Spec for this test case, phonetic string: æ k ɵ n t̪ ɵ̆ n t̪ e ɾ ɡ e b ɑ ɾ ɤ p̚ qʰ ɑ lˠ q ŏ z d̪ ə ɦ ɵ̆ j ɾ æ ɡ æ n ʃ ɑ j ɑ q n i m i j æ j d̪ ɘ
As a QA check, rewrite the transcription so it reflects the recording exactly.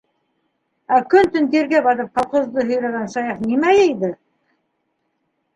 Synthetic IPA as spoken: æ k ɵ n t̪ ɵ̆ n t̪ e ɾ ɡ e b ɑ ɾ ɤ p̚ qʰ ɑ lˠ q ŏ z d̪ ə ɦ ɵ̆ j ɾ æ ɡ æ n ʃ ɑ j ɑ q n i m æ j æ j d̪ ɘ